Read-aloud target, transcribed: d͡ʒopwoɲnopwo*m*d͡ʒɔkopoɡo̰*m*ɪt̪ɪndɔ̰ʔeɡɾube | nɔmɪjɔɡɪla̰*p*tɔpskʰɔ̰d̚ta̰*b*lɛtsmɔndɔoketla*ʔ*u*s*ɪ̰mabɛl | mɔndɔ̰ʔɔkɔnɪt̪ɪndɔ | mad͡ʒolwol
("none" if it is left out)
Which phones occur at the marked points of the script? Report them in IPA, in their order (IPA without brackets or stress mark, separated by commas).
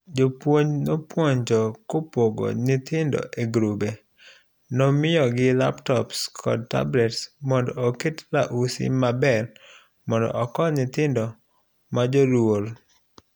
ɲ, n, p, b, ʔ, s